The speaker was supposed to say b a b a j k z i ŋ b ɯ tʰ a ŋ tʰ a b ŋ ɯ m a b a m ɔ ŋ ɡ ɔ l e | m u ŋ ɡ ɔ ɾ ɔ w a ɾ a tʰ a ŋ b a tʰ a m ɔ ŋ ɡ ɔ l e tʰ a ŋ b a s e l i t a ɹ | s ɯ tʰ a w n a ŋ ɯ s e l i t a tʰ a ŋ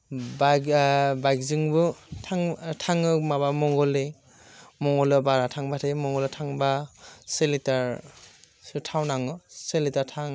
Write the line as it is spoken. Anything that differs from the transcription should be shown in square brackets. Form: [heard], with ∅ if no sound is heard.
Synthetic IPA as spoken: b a b a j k z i ŋ b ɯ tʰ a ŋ tʰ a [∅] ŋ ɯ m a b a m ɔ ŋ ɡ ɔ l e | m [ɔ] ŋ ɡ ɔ [l] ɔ [b] a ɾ a tʰ a ŋ b a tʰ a m ɔ ŋ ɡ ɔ l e tʰ a ŋ b a s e l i t a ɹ | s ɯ tʰ a w n a ŋ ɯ s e l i t a tʰ a ŋ